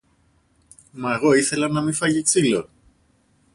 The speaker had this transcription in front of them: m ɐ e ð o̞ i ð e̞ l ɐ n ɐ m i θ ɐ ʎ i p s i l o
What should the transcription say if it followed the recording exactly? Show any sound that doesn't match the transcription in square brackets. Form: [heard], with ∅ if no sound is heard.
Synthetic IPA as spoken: m ɐ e [ɣ] o̞ i [θ] e̞ l ɐ n ɐ m i [f] ɐ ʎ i [k] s i l o